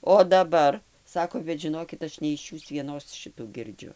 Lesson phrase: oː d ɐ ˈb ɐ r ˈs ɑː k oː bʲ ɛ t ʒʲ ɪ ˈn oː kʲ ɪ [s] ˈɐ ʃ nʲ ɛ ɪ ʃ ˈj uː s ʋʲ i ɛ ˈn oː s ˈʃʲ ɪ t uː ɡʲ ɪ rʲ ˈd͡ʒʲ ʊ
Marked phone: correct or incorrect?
incorrect